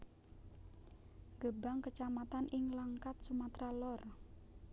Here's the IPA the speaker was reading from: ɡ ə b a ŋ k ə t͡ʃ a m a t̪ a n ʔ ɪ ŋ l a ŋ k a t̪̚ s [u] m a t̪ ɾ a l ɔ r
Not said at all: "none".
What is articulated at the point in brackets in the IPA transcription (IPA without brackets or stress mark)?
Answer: u